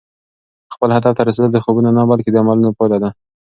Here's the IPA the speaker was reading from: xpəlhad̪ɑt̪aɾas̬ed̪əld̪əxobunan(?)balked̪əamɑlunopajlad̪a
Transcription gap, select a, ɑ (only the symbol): a